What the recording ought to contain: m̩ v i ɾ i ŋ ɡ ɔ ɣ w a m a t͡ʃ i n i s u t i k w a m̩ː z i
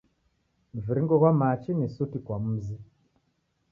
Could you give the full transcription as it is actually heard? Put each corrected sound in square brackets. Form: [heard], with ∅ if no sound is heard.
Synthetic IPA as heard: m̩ v i ɾ i ŋ ɡ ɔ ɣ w a m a t͡ʃ i n i s u t i k w a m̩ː z i